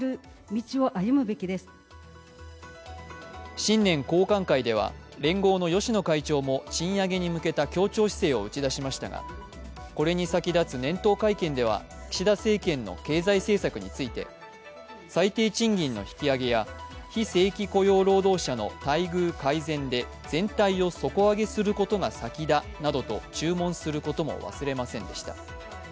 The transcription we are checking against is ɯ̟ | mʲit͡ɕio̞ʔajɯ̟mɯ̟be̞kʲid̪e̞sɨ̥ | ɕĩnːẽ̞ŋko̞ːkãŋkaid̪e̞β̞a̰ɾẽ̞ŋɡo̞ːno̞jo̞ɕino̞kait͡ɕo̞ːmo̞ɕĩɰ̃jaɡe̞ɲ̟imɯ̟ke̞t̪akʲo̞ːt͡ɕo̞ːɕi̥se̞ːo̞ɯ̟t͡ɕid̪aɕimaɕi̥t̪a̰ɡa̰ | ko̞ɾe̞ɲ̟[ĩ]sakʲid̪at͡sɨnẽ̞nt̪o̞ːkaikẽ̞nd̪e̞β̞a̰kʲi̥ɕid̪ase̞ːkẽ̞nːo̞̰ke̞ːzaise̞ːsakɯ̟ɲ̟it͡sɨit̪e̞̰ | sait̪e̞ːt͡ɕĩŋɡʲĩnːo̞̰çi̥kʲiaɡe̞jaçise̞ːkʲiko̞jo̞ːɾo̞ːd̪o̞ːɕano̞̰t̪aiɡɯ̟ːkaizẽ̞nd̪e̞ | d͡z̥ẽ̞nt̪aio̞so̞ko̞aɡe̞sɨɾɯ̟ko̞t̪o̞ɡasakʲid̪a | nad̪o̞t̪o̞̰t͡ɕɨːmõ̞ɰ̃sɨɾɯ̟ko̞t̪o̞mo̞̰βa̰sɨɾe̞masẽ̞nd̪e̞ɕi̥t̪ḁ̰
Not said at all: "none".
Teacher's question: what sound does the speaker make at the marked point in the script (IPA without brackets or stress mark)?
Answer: i